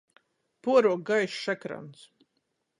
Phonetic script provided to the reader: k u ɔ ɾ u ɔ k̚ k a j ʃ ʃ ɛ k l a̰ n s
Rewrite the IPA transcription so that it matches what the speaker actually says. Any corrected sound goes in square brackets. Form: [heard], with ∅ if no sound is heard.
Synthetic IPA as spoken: [p] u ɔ ɾ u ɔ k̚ [ɡ] a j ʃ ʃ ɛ k [ɾ] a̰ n s